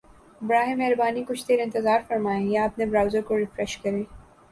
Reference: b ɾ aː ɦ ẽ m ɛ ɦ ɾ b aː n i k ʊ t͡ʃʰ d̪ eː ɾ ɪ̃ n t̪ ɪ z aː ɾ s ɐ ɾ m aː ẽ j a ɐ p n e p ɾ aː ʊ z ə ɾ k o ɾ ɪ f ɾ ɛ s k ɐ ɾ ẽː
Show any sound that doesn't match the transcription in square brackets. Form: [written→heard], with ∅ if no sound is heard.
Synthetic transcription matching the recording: b ɾ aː ɦ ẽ m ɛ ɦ ɾ b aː n i k ʊ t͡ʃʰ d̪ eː ɾ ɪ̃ n t̪ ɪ z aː ɾ [s→f] ɐ ɾ m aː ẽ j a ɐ p n e [p→b] ɾ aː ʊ z ə ɾ k o ɾ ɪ f ɾ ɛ [s→ʃ] k ɐ ɾ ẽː

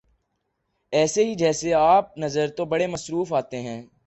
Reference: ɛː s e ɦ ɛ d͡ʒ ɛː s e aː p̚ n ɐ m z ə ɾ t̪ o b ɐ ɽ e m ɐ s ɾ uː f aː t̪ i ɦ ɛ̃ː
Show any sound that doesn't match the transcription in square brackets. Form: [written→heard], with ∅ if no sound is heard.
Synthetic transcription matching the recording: ɛː s e ɦ [ɛ→i] d͡ʒ ɛː s e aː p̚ n ɐ [m→∅] z ə ɾ t̪ o b ɐ ɽ e m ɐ s ɾ uː f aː t̪ [i→e] ɦ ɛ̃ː

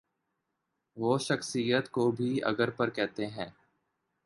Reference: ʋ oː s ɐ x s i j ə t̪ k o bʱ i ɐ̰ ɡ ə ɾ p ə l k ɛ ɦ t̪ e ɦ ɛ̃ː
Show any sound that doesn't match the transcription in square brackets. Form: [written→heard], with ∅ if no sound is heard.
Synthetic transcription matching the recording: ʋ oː [s→ʃ] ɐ x s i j ə t̪ k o bʱ i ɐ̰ ɡ ə ɾ p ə [l→ɾ] k ɛ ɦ t̪ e ɦ ɛ̃ː

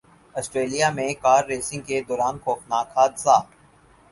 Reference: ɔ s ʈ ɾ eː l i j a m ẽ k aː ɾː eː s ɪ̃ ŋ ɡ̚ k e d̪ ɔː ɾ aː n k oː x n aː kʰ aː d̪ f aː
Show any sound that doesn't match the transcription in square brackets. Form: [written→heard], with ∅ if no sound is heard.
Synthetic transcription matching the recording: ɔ s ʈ ɾ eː l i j a m ẽ k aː ɾː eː s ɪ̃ ŋ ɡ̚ k e d̪ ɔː ɾ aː n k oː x n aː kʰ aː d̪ [f→s] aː

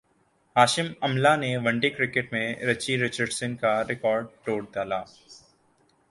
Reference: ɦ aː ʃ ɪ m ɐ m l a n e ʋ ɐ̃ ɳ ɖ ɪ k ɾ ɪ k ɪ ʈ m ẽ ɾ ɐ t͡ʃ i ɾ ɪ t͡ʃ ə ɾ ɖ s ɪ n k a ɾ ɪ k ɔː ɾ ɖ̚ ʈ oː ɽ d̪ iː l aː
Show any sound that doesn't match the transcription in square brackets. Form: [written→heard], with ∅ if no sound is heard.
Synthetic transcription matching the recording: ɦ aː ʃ ɪ m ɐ m l a n e ʋ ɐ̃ ɳ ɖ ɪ k ɾ ɪ k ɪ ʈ m ẽ ɾ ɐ t͡ʃ i ɾ ɪ t͡ʃ ə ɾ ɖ s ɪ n k a ɾ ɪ k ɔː ɾ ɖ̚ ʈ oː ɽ d̪ [iː→aː] l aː

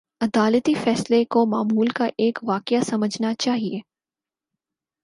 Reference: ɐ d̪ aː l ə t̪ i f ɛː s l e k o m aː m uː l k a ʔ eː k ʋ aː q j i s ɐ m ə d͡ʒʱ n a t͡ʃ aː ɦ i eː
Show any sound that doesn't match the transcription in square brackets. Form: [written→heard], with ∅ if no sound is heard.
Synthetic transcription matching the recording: ɐ d̪ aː l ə t̪ i f ɛː s l e k o m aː m uː l k a ʔ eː k ʋ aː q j [i→a] s ɐ m ə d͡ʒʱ n a t͡ʃ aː ɦ i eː

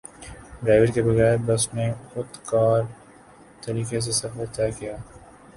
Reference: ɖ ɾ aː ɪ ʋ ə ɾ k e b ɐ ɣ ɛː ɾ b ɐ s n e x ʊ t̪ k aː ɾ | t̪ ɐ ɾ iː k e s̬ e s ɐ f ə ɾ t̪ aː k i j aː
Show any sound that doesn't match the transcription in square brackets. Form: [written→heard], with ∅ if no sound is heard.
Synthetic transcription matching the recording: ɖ ɾ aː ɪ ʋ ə ɾ k e b ɐ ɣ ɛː ɾ b ɐ s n e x ʊ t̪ k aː ɾ | t̪ ɐ ɾ iː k e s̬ e s ɐ f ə ɾ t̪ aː k i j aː

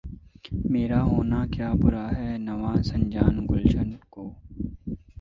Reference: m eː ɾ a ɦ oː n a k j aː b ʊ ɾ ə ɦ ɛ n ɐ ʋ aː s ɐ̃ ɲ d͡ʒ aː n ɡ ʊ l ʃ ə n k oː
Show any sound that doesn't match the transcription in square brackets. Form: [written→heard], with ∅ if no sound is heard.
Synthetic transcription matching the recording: m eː ɾ a ɦ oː n a k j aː b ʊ ɾ [ə→a] ɦ ɛ n ɐ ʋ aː s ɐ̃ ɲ d͡ʒ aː n ɡ ʊ l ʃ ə n k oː

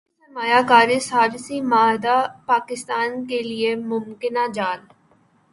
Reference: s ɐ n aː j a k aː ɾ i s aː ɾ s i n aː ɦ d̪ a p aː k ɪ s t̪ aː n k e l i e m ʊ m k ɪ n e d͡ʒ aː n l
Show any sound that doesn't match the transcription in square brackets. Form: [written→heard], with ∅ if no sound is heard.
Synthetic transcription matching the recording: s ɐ [n→m] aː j a k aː ɾ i s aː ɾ s i [n→m] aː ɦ d̪ a p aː k ɪ s t̪ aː n k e l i e m ʊ m k ɪ n [e→a] d͡ʒ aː [n→∅] l

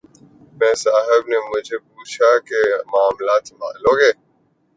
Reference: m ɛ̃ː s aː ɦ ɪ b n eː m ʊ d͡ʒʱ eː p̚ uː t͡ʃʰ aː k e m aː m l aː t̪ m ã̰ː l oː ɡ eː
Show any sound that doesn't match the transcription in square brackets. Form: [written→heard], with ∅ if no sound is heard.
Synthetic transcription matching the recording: m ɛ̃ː s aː ɦ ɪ b n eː m ʊ d͡ʒʱ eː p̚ uː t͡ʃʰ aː k e m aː m l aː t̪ m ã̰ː l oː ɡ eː

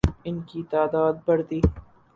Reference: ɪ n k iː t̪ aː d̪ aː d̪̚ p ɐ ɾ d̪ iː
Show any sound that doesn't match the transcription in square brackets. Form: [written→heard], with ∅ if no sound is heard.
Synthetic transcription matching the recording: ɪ n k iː t̪ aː d̪ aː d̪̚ [p→b] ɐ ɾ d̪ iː

